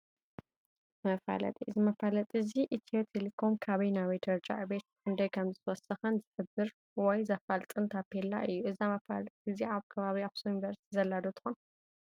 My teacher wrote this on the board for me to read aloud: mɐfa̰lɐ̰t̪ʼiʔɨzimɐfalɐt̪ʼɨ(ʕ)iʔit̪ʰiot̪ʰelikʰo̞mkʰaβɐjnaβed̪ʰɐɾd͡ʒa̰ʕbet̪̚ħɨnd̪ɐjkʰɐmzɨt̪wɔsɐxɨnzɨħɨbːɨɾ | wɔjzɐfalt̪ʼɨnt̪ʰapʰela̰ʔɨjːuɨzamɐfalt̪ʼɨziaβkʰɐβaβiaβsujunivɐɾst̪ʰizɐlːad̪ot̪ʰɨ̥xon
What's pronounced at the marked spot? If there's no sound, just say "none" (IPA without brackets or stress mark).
z